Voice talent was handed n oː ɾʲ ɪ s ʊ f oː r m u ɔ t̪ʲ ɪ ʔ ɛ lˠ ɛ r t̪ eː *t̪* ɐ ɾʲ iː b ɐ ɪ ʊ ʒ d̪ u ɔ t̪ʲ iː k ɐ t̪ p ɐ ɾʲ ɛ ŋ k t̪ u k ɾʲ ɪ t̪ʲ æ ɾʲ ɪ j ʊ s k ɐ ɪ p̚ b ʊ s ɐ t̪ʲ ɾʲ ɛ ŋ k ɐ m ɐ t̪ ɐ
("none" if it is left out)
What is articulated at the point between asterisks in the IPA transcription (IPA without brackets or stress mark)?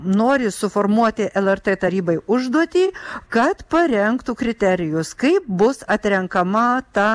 t̪